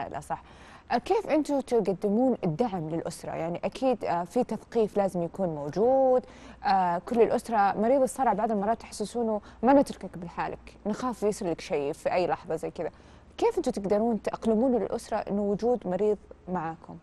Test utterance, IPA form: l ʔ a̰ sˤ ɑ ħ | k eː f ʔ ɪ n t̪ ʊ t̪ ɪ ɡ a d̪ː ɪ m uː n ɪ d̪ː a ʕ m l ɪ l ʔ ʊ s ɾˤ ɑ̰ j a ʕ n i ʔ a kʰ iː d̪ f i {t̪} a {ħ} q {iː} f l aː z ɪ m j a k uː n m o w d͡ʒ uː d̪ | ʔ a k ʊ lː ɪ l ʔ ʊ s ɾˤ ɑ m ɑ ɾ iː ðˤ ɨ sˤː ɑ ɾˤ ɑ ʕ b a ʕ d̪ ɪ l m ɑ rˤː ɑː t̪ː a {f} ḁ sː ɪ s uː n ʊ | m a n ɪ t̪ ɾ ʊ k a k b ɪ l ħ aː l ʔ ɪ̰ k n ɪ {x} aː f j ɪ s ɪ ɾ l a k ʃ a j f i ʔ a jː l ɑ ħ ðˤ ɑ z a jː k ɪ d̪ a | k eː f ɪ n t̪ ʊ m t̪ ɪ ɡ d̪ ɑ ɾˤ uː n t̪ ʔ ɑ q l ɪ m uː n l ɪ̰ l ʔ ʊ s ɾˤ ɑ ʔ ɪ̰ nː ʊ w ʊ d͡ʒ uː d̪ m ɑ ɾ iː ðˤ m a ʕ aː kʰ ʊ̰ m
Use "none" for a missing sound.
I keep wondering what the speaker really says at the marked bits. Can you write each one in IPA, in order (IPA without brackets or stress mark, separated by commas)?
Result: t̪, θ, iː, ħ, x